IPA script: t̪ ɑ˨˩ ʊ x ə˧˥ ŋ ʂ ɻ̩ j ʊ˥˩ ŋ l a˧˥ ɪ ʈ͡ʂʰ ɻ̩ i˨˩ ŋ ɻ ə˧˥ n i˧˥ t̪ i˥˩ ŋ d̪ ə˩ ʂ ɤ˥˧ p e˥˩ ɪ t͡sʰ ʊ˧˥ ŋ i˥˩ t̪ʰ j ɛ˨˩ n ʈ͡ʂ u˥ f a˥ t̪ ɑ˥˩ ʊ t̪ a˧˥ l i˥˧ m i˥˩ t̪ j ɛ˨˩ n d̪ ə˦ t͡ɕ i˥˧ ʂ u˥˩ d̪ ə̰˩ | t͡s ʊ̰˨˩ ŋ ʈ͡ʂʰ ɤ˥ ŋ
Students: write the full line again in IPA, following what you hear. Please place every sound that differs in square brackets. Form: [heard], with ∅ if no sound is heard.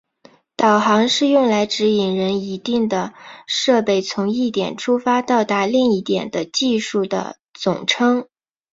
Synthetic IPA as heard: t̪ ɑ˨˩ ʊ x [ɑ˧˥] ŋ ʂ ɻ̩ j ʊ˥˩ ŋ l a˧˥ ɪ [ʈ͡ʂ] ɻ̩ i˨˩ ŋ ɻ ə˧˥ n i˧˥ t̪ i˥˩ ŋ d̪ ə˩ ʂ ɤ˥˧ p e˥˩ ɪ t͡sʰ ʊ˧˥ ŋ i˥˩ [t̪] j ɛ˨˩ n [ʈ͡ʂʰ] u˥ f a˥ t̪ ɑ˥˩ ʊ t̪ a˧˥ l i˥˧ [ŋ] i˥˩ t̪ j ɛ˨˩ n d̪ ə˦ t͡ɕ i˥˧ ʂ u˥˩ d̪ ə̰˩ | t͡s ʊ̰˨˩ ŋ ʈ͡ʂʰ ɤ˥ ŋ

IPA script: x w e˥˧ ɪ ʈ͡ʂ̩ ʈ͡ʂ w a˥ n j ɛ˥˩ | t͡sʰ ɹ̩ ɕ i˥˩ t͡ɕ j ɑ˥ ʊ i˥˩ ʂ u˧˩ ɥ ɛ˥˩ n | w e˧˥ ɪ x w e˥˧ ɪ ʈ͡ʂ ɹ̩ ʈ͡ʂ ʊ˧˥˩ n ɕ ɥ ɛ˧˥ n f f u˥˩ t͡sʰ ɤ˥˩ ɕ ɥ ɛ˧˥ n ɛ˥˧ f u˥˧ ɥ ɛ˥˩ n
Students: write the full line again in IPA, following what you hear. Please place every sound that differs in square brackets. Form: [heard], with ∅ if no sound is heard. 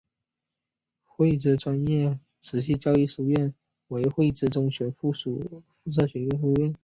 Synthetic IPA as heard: x w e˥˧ ɪ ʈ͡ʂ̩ ʈ͡ʂ w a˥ n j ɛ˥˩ | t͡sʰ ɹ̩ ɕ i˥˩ t͡ɕ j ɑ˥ ʊ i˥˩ ʂ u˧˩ ɥ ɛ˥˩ n | w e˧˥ ɪ x w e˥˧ ɪ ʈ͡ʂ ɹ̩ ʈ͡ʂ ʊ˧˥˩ [ŋ] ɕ ɥ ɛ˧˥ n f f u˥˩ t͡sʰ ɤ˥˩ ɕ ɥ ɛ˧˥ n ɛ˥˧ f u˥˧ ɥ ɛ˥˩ n

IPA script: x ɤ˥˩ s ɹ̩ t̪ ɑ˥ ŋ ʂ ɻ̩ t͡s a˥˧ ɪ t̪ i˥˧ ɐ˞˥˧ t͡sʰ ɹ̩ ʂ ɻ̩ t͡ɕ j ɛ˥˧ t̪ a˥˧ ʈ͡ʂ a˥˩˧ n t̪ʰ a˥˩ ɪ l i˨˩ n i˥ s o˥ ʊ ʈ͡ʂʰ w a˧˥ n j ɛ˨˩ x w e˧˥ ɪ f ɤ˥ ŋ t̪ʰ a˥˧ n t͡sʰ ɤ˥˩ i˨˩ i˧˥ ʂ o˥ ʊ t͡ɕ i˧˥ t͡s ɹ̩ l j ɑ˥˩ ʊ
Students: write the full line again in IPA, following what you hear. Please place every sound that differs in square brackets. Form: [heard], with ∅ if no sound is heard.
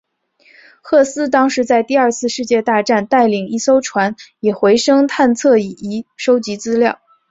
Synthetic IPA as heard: x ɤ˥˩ s ɹ̩ t̪ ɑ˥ ŋ ʂ ɻ̩ t͡s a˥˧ ɪ t̪ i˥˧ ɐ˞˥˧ t͡sʰ ɹ̩ ʂ ɻ̩ t͡ɕ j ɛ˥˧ t̪ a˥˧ ʈ͡ʂ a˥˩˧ n [t̪] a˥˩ ɪ l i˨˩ [ŋ] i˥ s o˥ ʊ ʈ͡ʂʰ w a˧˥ n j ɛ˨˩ x w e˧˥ ɪ [ʂ] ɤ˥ ŋ t̪ʰ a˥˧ n t͡sʰ ɤ˥˩ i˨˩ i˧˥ ʂ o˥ ʊ t͡ɕ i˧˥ t͡s ɹ̩ l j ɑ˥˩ ʊ

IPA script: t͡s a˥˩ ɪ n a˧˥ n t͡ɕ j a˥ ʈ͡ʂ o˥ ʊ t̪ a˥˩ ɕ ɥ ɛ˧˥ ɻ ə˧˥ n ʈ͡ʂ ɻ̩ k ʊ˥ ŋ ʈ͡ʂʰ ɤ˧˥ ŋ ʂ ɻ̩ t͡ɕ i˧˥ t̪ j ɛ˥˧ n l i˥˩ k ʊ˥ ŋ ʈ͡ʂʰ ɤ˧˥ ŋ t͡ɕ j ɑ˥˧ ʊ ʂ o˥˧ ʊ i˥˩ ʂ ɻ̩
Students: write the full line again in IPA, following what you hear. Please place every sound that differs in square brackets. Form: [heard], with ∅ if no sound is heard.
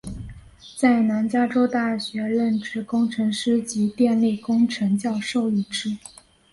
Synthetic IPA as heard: t͡s a˥˩ ɪ n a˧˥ n t͡ɕ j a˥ ʈ͡ʂ o˥ ʊ t̪ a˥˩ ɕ ɥ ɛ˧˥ ɻ [ə˥˩] n ʈ͡ʂ ɻ̩ k ʊ˥ ŋ ʈ͡ʂʰ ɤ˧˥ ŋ ʂ ɻ̩ t͡ɕ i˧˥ t̪ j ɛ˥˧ n l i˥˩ k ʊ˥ ŋ ʈ͡ʂʰ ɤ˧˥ ŋ t͡ɕ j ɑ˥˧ ʊ ʂ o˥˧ ʊ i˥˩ [ʈ͡ʂ] ɻ̩

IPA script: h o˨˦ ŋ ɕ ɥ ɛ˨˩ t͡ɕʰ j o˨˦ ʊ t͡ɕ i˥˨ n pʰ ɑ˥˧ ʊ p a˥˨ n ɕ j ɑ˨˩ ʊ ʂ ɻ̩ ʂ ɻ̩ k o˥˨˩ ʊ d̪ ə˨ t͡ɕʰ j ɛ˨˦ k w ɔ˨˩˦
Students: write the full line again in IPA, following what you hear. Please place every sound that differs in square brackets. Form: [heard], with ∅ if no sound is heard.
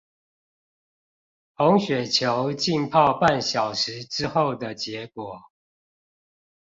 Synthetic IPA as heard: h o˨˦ ŋ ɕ ɥ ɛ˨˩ t͡ɕʰ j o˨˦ ʊ t͡ɕ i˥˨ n pʰ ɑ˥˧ ʊ p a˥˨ n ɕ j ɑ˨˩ ʊ ʂ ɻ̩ [ʈ͡ʂ] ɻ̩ [x] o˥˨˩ ʊ d̪ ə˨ [t͡ɕ] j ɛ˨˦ k w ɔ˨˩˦

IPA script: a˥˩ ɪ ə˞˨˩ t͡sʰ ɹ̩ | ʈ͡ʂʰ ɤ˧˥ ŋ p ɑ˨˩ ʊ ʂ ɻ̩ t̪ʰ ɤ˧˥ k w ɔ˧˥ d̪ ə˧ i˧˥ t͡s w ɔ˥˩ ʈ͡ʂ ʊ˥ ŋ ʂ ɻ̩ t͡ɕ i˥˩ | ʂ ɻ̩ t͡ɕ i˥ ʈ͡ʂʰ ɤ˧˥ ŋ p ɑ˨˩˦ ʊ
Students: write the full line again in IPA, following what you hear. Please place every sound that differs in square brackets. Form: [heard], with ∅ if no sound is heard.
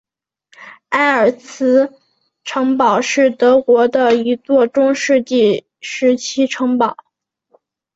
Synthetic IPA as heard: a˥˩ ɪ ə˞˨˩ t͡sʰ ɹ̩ | ʈ͡ʂʰ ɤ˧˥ ŋ p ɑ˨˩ ʊ ʂ ɻ̩ [t̪] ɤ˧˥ k w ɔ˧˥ d̪ ə˧ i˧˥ t͡s w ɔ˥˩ ʈ͡ʂ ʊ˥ ŋ ʂ ɻ̩ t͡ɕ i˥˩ | ʂ ɻ̩ [t͡ɕʰ] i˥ ʈ͡ʂʰ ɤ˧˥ ŋ p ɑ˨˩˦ ʊ

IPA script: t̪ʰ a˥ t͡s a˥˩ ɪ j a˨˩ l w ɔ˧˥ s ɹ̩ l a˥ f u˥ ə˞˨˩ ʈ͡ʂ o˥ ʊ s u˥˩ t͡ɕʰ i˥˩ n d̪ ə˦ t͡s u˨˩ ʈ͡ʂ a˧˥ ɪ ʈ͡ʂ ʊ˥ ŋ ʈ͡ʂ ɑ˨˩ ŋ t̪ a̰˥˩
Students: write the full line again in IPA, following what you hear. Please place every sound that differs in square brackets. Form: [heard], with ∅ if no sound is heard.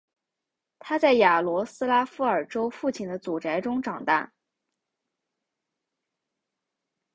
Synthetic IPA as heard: t̪ʰ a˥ t͡s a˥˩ ɪ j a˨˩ l w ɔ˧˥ s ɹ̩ l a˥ f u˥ ə˞˨˩ ʈ͡ʂ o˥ ʊ [f] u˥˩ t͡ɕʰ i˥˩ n d̪ ə˦ t͡s u˨˩ ʈ͡ʂ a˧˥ ɪ ʈ͡ʂ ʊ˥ ŋ ʈ͡ʂ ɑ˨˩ ŋ t̪ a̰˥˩

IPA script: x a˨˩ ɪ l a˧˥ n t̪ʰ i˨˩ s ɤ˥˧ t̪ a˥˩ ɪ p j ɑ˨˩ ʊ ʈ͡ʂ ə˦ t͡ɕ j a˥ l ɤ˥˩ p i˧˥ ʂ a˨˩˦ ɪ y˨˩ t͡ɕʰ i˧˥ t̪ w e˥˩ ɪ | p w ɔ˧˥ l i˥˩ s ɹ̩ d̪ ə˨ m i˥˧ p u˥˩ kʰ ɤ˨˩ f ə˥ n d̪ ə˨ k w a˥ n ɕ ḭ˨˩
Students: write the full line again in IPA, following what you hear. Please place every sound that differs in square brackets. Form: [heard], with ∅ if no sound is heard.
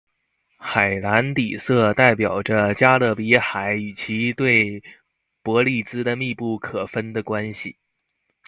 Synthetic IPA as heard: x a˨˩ ɪ l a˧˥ n [t̪] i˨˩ s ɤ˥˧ t̪ a˥˩ ɪ p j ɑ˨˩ ʊ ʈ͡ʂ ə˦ t͡ɕ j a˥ l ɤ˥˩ p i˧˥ [x] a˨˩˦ ɪ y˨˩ t͡ɕʰ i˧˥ t̪ w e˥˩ ɪ | p w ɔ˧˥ l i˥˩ [t͡s] ɹ̩ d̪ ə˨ m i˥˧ p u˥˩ kʰ ɤ˨˩ f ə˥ n d̪ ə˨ k w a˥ n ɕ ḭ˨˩

